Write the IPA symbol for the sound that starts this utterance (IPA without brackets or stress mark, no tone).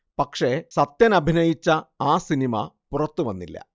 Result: p